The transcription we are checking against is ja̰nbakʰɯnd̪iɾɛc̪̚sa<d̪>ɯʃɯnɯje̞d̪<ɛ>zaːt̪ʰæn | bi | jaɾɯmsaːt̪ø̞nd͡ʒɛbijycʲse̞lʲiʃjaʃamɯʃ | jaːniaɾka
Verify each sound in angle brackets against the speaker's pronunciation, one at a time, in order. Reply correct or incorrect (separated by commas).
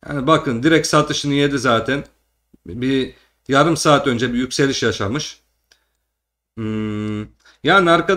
incorrect, incorrect